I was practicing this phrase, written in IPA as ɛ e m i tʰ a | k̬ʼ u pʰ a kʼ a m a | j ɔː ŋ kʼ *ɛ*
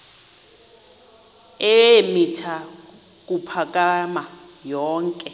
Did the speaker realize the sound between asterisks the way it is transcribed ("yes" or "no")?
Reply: yes